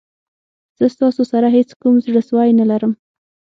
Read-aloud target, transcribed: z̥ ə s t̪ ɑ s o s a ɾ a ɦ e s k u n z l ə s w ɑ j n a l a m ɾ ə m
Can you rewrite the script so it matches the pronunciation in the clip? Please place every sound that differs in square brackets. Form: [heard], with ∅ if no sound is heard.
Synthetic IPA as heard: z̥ ə s t̪ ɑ s o s a ɾ a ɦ e [t͡s] k u [m] z [ɽ] ə s w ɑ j n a l a [∅] ɾ ə m